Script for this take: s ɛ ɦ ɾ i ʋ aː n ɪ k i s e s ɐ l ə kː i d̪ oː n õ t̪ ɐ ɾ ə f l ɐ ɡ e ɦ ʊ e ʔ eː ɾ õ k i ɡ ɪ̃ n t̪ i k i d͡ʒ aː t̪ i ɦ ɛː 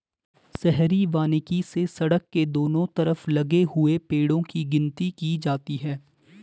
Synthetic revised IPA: s ɛ ɦ ɾ i ʋ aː n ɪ k i s e s ɐ ɽ ə kː e d̪ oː n õ t̪ ɐ ɾ ə f l ɐ ɡ e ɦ ʊ e p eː ɽ õ k i ɡ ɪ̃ n t̪ i k i d͡ʒ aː t̪ i ɦ ɛː